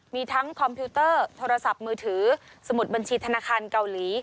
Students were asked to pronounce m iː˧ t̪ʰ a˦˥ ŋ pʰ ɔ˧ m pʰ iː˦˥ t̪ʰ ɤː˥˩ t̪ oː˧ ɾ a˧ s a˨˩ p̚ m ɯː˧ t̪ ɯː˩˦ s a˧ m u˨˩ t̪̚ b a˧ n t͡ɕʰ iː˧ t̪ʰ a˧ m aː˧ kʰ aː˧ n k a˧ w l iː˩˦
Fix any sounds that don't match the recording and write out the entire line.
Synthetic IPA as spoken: m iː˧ t̪ʰ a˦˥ ŋ kʰ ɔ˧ m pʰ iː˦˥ t̪ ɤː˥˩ t̪ʰ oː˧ ɾ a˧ s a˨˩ p̚ m ɯː˧ t̪ʰ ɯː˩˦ s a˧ m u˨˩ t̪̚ b a˧ n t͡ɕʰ iː˧ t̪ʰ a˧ n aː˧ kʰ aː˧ n k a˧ w l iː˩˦